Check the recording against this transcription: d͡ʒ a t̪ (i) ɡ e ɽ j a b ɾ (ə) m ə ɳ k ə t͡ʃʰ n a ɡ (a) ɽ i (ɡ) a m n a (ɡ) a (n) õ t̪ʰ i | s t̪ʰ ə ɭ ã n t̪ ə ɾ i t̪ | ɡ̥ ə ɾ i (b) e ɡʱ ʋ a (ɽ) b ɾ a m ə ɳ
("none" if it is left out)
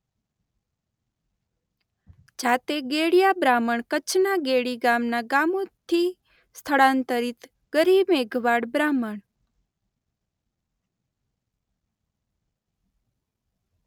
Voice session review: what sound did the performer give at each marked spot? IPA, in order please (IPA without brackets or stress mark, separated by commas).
e, a, e, ɡ, ɡ, m, b, ɽ